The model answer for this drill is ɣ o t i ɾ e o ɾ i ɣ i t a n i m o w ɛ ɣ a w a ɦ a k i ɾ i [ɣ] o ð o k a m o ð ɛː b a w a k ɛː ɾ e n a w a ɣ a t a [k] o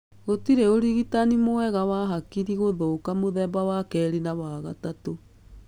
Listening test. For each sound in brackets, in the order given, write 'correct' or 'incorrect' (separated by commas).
correct, incorrect